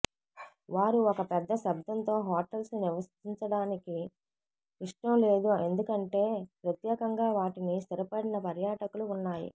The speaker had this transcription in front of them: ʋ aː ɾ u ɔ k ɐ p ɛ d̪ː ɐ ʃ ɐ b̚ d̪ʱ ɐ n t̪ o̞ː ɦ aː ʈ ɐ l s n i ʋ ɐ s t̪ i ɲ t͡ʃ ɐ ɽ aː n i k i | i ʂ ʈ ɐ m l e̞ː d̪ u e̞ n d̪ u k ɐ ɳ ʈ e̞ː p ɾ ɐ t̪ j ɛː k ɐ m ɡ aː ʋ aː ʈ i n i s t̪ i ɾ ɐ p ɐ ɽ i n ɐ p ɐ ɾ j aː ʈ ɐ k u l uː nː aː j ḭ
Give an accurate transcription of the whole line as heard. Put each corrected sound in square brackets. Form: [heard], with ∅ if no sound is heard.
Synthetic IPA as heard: ʋ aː ɾ u ɔ k ɐ p ɛ d̪ː ɐ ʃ ɐ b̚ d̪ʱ ɐ n t̪ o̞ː ɦ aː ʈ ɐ l s n i ʋ ɐ s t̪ i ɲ t͡ʃ ɐ ɽ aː n i k i | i ʂ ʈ ɐ m l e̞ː d̪ u e̞ n d̪ u k ɐ ɳ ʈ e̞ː p ɾ ɐ t̪ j ɛː k ɐ [ŋ] ɡ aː ʋ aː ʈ i n i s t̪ i ɾ ɐ p ɐ ɽ i n ɐ p ɐ ɾ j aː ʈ ɐ k u l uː nː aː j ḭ